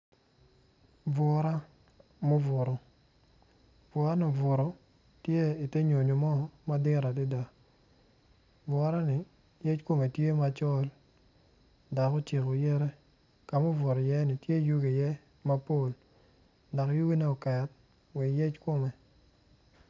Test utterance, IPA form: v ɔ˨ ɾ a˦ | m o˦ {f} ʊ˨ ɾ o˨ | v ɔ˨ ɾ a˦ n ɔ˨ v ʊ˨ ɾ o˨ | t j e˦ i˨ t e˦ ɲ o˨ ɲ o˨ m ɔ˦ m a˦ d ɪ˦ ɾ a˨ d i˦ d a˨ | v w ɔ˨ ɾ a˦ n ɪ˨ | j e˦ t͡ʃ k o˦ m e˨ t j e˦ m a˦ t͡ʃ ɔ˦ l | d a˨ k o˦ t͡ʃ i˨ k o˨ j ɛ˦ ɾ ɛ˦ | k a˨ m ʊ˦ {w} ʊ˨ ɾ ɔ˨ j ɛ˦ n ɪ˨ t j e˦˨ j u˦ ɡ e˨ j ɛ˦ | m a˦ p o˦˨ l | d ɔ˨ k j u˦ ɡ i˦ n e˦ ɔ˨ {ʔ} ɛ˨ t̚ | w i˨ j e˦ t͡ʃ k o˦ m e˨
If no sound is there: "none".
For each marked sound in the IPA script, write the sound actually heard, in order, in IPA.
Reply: v, v, k

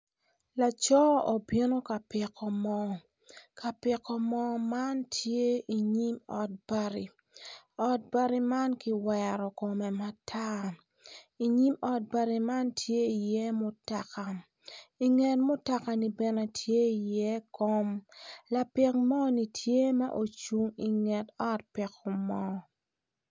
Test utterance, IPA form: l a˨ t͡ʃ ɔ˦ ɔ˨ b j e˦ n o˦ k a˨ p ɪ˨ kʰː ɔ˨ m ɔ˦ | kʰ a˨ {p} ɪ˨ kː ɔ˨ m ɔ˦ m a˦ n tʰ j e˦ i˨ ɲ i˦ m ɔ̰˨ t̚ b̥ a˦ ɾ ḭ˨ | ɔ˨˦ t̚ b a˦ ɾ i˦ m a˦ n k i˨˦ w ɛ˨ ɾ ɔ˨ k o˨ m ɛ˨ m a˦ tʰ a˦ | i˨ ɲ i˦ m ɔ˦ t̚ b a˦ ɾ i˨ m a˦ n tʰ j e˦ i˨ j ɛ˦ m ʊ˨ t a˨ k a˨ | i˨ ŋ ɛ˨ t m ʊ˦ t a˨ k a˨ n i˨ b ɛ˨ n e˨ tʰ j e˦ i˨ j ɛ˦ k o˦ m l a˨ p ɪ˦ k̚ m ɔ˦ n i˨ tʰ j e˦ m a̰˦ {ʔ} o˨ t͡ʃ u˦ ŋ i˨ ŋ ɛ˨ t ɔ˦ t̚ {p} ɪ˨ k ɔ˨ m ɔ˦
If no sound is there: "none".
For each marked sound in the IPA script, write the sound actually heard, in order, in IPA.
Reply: p, ʔ, p

